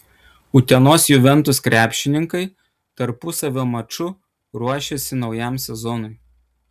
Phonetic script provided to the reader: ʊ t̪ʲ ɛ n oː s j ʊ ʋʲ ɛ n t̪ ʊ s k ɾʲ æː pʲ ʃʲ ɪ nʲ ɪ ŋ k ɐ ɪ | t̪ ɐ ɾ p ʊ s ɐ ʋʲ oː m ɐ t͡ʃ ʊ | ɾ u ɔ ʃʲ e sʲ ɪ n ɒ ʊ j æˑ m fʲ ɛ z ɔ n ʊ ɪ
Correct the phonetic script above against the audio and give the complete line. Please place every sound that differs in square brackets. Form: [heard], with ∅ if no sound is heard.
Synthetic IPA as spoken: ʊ t̪ʲ ɛ n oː s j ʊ ʋʲ ɛ n t̪ ʊ s k ɾʲ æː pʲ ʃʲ ɪ nʲ ɪ ŋ k ɐ ɪ | t̪ ɐ ɾ p ʊ s ɐ ʋʲ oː m ɐ t͡ʃ ʊ | ɾ u ɔ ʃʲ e sʲ ɪ n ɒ ʊ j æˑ m [sʲ] ɛ z ɔ n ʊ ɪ